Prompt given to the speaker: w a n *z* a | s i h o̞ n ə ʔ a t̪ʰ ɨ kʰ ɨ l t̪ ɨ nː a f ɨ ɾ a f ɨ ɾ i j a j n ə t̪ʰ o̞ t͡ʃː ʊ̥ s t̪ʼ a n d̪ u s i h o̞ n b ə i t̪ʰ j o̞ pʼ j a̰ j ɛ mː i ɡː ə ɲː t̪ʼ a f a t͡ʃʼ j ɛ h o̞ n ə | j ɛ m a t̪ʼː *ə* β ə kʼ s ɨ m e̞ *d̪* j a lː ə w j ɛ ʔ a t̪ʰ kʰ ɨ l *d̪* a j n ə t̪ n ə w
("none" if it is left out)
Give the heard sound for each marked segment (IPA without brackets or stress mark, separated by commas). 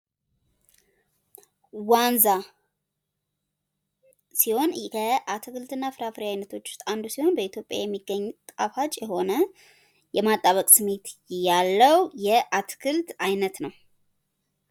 z, a, t̪, t̪